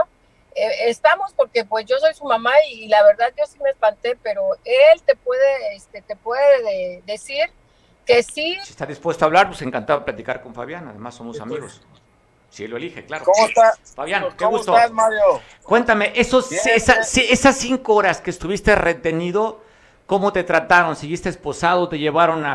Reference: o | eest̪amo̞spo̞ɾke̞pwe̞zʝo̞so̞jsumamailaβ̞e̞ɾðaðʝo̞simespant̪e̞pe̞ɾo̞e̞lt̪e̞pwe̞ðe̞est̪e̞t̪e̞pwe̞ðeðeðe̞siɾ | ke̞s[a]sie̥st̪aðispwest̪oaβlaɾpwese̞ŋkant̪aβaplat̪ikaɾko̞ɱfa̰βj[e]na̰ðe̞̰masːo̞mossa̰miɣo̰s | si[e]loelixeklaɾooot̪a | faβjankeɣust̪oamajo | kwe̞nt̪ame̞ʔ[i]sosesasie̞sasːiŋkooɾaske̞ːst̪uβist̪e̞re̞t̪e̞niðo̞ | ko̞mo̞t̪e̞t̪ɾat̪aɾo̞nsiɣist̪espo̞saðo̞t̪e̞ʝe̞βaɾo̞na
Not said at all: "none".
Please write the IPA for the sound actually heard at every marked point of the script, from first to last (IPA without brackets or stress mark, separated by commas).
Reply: i, a, e, e